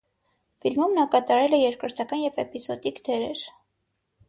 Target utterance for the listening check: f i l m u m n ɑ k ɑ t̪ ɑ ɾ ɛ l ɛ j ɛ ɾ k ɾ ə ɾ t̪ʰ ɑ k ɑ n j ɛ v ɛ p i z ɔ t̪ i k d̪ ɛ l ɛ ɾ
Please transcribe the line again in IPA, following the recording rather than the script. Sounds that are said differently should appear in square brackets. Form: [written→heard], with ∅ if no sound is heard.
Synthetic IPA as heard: f i l m u m n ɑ k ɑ t̪ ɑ ɾ ɛ l ɛ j ɛ ɾ k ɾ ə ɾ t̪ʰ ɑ k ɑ n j ɛ v ɛ p i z ɔ [t̪→d̪] i k d̪ ɛ [l→ɾ] ɛ ɾ